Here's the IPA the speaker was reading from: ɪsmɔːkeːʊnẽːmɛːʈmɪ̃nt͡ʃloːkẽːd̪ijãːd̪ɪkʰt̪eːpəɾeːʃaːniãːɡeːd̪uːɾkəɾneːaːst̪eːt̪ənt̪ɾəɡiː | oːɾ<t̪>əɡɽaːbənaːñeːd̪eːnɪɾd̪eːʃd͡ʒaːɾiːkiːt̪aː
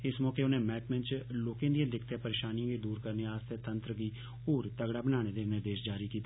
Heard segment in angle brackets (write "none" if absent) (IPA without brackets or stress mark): t̪